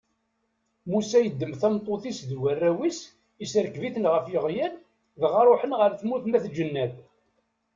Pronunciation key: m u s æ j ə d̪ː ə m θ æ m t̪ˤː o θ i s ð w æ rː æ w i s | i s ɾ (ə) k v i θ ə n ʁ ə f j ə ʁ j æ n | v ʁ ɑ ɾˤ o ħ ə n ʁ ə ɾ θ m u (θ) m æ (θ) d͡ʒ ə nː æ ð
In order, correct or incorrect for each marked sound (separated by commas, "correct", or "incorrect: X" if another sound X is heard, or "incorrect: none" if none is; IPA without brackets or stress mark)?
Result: correct, correct, correct